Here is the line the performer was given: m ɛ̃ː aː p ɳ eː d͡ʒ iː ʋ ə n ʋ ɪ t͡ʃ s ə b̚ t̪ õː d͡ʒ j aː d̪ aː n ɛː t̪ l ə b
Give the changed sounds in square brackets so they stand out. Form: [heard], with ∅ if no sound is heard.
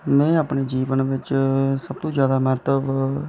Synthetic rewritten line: m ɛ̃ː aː p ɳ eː d͡ʒ iː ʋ ə n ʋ ɪ t͡ʃ s ə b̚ t̪ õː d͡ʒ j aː d̪ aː [m] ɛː t̪ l ə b